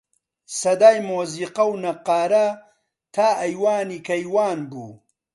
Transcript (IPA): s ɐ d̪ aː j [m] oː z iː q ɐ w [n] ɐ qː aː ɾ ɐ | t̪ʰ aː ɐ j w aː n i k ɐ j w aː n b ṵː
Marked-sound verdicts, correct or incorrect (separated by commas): correct, correct